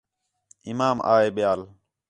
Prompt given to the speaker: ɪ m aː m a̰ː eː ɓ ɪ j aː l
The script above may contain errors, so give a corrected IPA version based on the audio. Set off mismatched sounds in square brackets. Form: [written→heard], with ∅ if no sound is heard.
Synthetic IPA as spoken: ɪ m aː m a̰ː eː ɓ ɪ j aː l